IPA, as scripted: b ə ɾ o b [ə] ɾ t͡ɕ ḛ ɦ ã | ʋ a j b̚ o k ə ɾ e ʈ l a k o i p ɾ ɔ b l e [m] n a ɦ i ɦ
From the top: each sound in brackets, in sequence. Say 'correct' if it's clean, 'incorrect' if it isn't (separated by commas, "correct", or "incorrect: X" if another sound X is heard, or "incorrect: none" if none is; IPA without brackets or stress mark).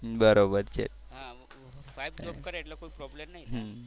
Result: correct, correct